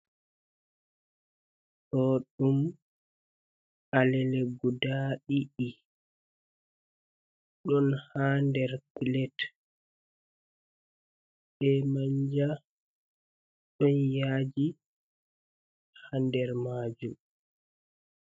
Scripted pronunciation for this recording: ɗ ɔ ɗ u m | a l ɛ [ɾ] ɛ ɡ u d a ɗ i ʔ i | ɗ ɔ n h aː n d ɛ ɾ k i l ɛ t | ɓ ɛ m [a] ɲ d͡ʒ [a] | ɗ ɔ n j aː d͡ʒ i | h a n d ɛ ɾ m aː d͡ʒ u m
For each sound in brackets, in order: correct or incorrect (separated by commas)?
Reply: incorrect, correct, correct